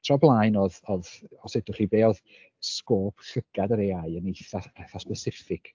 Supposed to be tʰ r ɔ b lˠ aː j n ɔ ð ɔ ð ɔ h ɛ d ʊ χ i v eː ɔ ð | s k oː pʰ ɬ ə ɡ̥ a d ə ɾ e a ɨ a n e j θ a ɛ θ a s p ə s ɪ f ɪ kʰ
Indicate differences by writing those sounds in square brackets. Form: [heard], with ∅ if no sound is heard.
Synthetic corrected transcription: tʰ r ɔ b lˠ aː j n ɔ ð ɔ ð ɔ [s] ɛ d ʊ χ i [b] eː ɔ ð | s k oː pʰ ɬ ə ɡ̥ a d ə ɾ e a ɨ [ə] n e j θ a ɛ θ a s p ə s ɪ f ɪ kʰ